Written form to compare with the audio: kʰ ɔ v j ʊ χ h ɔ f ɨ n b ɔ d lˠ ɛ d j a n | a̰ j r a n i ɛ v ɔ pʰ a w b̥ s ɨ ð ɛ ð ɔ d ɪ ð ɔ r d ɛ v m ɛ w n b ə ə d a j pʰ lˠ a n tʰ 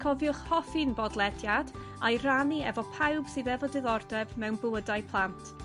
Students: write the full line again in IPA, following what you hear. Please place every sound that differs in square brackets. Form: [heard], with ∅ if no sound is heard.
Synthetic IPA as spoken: kʰ ɔ v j ʊ χ h ɔ f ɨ n b ɔ d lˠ ɛ d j a [d] | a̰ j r a n i ɛ v ɔ pʰ a w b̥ s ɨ ð ɛ [v] ɔ d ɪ ð ɔ r d ɛ v m ɛ w n b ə ə d a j pʰ lˠ a n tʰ